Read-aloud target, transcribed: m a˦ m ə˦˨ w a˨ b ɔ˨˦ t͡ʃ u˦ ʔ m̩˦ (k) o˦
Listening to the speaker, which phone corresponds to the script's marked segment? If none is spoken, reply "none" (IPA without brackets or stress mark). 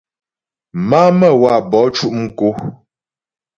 k